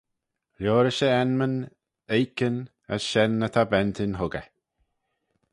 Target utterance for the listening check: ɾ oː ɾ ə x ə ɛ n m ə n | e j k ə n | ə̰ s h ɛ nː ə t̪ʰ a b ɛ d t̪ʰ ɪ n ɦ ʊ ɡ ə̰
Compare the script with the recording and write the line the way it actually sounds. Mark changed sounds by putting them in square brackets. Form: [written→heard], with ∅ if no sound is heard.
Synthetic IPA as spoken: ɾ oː ɾ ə [x→ʃ] ə ɛ n m ə n | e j k ə n | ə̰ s [h→ʃ] ɛ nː ə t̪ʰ a b ɛ [d→n] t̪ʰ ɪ n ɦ ʊ ɡ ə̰